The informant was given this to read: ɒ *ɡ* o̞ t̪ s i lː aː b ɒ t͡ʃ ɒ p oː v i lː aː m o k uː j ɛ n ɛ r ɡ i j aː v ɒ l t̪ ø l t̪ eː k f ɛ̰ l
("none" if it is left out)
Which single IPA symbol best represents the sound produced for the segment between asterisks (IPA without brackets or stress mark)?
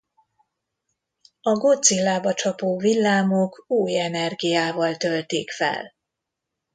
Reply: ɡ